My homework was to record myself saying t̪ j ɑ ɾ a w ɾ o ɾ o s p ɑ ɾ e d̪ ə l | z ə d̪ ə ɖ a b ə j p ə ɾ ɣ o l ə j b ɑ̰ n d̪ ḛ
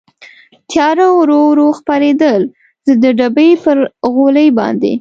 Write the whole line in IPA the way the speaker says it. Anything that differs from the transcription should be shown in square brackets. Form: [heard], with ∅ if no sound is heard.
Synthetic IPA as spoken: t̪ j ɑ ɾ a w ɾ o ɾ o [x] p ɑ ɾ e d̪ ə l | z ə d̪ ə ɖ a b ə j p ə ɾ ɣ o l ə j b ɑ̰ n d̪ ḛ